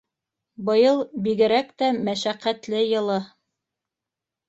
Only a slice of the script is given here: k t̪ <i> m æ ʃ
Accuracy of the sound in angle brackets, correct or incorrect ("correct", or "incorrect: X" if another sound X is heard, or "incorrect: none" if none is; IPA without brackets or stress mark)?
incorrect: æ